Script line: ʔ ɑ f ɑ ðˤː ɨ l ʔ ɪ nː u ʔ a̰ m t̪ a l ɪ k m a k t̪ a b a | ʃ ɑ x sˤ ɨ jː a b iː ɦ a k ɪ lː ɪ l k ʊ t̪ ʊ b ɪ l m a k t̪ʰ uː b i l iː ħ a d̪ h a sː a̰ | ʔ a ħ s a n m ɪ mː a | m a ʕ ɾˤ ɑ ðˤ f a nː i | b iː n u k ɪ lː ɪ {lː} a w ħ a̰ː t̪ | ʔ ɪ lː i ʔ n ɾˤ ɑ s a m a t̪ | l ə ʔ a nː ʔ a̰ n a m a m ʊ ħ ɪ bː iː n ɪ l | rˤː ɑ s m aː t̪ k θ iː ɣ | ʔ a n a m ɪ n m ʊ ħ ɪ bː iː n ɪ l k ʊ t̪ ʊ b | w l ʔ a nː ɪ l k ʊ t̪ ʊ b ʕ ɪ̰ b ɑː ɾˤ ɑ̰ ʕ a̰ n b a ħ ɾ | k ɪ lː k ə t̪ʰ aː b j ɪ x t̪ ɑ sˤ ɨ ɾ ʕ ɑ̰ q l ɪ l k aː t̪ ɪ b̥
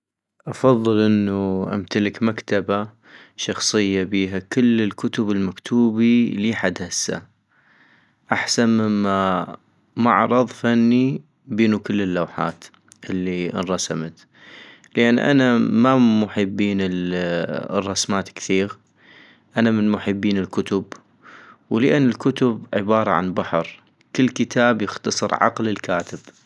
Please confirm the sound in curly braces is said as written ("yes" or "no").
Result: yes